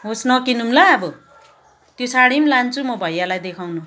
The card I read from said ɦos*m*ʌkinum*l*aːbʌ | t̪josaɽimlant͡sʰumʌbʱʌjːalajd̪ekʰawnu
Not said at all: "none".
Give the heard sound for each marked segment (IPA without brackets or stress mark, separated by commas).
n, l